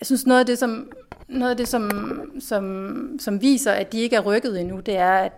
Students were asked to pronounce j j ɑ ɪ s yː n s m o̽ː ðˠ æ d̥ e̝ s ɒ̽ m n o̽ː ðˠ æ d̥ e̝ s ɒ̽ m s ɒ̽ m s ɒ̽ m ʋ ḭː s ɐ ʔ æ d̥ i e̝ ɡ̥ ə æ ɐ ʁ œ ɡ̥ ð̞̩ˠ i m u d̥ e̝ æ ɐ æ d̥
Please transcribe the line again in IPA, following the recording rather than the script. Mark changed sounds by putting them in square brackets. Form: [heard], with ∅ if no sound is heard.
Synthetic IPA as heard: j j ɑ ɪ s [y] n s [n] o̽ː ðˠ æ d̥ e̝ s ɒ̽ m n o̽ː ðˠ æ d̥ e̝ s ɒ̽ m s ɒ̽ m s ɒ̽ m ʋ ḭː s ɐ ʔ æ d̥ i e̝ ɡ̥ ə æ ɐ ʁ œ ɡ̥ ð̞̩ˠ i [n] u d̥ e̝ æ ɐ æ d̥